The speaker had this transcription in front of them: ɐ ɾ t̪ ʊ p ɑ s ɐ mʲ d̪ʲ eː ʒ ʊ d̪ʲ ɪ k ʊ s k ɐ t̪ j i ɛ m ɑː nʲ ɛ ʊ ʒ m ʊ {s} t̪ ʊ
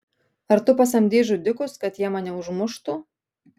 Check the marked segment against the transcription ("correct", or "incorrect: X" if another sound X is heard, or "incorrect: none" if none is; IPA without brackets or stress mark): incorrect: ʃ